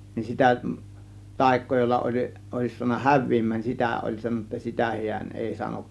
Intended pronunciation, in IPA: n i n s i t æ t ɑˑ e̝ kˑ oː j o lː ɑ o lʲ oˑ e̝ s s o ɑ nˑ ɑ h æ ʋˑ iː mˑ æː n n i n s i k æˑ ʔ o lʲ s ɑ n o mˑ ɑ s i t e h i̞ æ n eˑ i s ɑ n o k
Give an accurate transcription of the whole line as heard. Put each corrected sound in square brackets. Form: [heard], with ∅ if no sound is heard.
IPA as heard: n i n s i t æ t ɑˑ e̝ kˑ oː j o lː ɑ o lʲ oˑ e̝ s s [u] ɑ nˑ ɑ h æ ʋˑ iː mˑ æː n n i n s i [t] æˑ ʔ o lʲ s ɑ n o [nˑ] ɑ s i t [æ] h i̞ æ n eˑ i s ɑ n o k

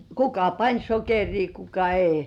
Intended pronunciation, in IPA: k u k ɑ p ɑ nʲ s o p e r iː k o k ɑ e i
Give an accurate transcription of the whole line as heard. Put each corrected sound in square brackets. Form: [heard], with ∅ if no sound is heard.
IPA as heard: k u k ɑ p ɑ nʲ s o [k] e r iː k [u] k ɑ e i

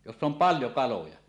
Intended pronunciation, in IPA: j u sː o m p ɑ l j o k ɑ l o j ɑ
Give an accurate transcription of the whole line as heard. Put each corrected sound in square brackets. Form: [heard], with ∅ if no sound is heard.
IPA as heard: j [o] sː o m p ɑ l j o k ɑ l o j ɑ

